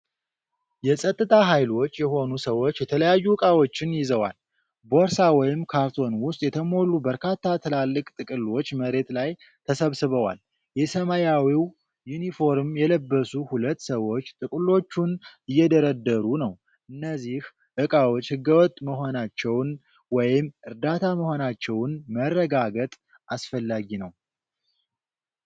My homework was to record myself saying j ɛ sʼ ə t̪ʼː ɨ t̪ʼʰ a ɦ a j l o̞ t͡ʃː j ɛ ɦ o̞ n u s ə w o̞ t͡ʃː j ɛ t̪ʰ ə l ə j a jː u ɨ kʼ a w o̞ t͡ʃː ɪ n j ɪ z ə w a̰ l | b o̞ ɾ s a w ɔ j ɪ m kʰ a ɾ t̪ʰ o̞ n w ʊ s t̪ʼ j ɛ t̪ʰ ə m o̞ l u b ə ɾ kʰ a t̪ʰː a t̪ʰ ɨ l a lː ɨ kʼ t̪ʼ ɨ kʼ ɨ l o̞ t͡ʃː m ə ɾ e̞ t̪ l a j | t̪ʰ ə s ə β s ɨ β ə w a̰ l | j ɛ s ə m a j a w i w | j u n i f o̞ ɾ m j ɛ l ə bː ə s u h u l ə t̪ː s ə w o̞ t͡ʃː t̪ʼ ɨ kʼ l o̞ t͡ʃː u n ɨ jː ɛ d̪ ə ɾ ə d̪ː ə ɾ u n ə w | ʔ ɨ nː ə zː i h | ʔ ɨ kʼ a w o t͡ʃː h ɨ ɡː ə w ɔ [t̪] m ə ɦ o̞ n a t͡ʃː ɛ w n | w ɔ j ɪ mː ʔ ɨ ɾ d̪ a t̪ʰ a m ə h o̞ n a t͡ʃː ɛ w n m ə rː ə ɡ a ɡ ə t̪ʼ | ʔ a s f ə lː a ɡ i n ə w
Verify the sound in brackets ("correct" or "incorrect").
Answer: incorrect